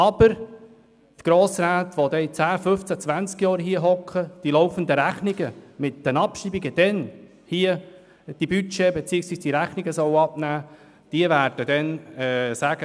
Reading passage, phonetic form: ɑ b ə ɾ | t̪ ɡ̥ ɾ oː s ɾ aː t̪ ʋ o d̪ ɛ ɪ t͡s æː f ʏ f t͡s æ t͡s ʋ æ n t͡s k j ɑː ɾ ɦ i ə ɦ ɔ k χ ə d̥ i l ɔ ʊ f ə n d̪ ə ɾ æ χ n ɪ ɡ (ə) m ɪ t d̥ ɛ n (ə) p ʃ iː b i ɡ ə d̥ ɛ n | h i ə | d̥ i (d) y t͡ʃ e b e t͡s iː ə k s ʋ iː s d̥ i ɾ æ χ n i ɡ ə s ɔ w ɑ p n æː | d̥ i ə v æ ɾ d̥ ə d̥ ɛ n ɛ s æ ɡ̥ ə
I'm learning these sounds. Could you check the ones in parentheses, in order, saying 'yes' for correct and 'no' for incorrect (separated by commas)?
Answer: yes, no, no